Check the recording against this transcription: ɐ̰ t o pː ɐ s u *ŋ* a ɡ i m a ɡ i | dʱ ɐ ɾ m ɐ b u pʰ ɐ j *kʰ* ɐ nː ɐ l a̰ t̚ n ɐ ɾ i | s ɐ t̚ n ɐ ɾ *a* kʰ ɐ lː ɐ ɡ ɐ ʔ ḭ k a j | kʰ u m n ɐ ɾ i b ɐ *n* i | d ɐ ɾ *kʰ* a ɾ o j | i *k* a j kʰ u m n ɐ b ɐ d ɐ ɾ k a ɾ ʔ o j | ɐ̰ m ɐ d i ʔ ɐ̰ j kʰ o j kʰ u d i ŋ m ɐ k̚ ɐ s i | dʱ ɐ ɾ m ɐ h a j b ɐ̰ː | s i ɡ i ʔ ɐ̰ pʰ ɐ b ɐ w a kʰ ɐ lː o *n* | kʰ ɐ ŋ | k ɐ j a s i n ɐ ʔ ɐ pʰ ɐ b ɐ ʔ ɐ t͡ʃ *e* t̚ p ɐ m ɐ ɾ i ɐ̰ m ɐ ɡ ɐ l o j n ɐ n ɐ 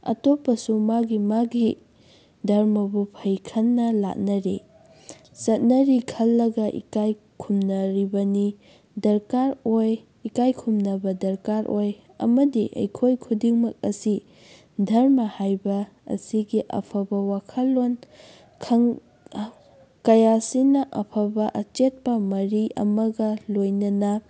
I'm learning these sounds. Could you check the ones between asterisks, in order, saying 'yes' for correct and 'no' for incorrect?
no, yes, no, yes, no, yes, yes, yes

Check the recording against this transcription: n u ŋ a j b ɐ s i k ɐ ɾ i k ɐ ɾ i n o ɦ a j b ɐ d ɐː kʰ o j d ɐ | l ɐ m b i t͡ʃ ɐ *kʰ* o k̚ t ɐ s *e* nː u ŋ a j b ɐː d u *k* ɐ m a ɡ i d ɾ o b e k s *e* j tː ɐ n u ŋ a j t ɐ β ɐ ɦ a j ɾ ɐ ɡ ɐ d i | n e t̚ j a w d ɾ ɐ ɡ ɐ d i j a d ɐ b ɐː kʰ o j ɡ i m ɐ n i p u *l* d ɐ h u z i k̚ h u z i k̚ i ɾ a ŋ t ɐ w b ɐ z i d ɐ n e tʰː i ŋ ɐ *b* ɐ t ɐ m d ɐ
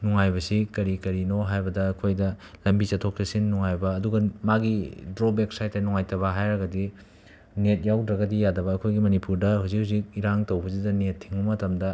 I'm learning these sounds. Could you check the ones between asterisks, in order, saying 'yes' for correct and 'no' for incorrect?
no, no, no, no, no, no

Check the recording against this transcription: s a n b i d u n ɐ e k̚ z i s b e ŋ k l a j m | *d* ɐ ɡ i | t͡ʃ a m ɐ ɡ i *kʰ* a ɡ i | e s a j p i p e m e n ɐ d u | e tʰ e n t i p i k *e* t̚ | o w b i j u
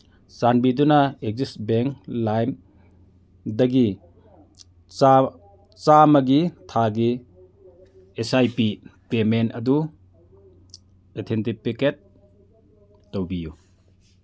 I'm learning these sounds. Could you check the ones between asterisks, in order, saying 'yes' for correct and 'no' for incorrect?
yes, no, yes

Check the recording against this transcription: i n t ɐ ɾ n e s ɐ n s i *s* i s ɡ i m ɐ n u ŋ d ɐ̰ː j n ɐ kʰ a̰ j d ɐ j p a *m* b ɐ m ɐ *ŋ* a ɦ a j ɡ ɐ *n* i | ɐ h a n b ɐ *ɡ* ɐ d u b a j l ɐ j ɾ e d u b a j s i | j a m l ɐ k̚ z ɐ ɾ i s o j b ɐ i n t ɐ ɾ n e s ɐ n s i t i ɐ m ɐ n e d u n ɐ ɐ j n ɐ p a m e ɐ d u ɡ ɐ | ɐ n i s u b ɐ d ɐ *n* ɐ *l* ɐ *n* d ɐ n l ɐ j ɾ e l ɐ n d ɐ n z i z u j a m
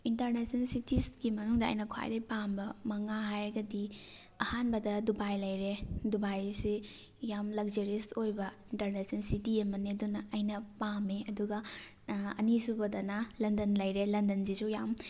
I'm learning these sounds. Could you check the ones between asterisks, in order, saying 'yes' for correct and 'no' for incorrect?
no, yes, yes, no, no, yes, yes, yes

